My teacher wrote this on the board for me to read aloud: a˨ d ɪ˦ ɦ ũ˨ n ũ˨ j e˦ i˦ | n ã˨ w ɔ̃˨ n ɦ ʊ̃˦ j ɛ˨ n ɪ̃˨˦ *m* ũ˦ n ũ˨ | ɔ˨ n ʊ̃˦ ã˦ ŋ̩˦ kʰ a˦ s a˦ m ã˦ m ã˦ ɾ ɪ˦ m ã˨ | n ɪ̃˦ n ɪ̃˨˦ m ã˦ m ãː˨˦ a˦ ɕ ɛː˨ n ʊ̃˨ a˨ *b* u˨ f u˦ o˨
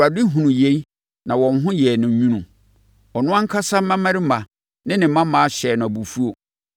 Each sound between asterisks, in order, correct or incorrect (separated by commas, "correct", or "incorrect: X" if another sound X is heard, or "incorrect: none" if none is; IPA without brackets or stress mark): incorrect: ɲ, correct